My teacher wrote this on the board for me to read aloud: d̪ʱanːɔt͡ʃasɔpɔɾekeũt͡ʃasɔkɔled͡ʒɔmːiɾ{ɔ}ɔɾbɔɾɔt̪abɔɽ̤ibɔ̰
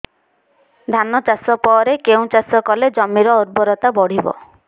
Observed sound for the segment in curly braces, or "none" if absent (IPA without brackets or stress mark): ɔ